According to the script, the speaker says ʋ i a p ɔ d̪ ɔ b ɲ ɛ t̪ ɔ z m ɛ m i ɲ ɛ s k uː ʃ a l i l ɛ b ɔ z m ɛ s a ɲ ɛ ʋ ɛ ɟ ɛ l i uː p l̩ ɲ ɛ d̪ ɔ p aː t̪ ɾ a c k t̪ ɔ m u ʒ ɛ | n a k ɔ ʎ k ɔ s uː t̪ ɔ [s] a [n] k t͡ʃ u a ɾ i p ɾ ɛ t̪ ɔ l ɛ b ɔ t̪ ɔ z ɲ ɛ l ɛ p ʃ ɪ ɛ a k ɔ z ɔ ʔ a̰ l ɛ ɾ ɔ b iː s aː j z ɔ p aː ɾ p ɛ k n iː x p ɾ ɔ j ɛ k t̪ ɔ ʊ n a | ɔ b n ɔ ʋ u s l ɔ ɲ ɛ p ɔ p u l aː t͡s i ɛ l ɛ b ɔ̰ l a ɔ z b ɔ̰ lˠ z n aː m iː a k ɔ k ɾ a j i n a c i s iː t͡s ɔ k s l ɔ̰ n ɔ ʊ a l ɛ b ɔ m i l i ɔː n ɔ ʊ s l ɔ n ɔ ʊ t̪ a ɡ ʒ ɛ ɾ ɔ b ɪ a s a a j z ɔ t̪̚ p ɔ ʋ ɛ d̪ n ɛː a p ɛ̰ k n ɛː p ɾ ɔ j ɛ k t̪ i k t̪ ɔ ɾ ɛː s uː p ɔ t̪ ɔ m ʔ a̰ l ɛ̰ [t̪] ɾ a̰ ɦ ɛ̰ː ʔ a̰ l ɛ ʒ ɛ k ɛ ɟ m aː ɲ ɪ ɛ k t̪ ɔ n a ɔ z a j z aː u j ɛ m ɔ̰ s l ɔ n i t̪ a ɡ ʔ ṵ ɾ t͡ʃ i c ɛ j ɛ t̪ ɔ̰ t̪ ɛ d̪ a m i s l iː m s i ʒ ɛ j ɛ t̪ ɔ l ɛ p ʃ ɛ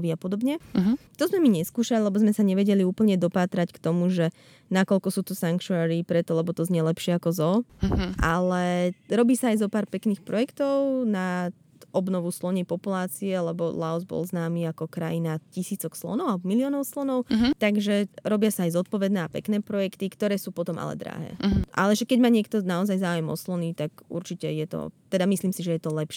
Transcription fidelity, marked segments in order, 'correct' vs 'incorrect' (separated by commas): correct, incorrect, incorrect